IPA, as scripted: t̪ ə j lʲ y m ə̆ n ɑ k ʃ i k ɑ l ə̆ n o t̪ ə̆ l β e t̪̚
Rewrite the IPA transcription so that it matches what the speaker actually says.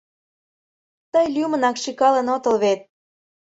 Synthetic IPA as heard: t̪ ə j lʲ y m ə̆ n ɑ k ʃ i k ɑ l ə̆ n o t̪ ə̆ l β e t̪̚